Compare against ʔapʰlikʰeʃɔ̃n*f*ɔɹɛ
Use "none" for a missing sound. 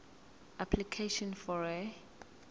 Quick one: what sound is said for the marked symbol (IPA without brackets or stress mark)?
f